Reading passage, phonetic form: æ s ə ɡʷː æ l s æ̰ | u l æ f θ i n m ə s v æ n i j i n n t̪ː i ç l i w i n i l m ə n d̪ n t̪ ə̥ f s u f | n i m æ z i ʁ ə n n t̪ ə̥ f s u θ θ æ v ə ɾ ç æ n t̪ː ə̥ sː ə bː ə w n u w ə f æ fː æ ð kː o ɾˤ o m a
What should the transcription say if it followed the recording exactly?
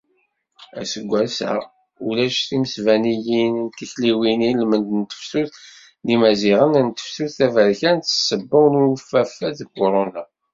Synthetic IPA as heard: æ s ə ɡʷː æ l s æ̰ | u l æ ʃ θ i m ə s v æ n i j i n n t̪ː i ç l i w i n i l m ə n d̪ n t̪ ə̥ f s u θ | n i m æ z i ʁ ə n n t̪ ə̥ f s u θ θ æ v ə ɾ ç æ n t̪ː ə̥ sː ə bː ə w n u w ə f æ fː æ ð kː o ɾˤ o n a